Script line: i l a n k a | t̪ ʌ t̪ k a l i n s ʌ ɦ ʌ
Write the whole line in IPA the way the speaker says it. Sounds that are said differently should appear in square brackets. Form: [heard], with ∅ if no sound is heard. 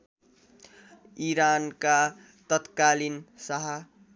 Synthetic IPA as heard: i [ɾ] a n k a | t̪ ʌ t̪ k a l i n s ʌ ɦ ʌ